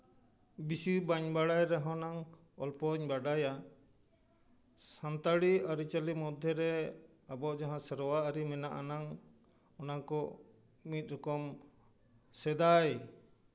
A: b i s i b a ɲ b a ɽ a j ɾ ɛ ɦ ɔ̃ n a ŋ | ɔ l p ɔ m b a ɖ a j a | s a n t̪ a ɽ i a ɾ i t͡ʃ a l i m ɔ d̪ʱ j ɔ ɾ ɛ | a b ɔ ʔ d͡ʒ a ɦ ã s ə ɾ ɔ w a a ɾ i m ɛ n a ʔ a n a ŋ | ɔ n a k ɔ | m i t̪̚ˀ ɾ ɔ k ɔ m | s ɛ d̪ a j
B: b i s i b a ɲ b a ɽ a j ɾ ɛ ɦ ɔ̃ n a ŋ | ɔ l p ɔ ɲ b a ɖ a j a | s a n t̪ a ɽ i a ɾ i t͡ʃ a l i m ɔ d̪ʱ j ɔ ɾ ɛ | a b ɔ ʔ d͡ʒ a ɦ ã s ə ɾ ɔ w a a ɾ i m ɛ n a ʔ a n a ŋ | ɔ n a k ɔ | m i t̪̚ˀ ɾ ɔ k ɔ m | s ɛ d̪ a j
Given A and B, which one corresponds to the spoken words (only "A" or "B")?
B